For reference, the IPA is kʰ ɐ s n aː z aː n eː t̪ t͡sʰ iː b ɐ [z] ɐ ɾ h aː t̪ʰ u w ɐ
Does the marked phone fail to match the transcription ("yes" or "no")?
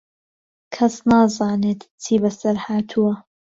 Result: yes